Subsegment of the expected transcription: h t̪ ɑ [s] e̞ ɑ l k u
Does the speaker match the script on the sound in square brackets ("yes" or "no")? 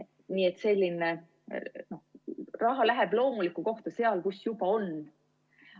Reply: yes